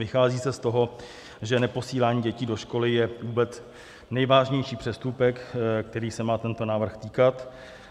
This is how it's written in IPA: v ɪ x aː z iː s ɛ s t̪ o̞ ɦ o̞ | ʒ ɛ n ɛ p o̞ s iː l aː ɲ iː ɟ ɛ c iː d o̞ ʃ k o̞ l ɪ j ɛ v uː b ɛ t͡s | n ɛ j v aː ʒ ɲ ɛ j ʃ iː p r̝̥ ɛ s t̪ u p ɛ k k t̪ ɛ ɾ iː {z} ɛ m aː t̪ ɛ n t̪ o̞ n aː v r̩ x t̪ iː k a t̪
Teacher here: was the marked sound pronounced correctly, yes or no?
no